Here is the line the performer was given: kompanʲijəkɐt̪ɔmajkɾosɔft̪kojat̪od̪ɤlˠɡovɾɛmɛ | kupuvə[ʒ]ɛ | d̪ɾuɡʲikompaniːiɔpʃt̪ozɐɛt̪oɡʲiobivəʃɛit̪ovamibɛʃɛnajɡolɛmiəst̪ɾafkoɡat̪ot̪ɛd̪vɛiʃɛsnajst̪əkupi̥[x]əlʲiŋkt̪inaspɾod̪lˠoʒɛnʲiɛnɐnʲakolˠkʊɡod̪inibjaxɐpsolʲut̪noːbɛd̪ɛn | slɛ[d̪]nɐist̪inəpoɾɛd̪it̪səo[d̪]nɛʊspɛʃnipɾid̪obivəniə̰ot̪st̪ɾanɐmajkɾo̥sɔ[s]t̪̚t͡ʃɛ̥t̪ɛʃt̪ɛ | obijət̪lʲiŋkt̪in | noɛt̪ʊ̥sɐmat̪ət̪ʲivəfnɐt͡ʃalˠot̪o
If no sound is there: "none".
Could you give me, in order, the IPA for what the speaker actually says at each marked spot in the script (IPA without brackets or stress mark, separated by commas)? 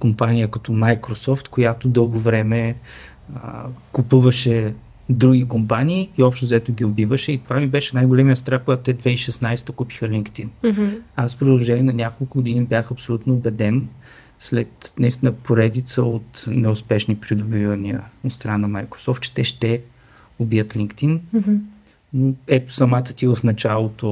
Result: ʃ, x, t̪, t̪, f